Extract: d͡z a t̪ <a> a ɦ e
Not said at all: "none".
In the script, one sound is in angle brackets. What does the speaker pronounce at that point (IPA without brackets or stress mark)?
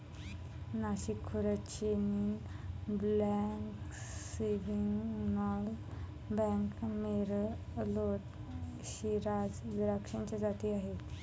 i